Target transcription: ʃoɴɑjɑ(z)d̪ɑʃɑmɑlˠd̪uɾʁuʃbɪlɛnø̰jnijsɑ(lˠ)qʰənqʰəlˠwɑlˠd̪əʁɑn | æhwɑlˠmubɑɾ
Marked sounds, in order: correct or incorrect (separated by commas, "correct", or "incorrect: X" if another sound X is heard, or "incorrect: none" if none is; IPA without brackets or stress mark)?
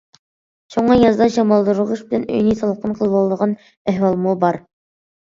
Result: correct, correct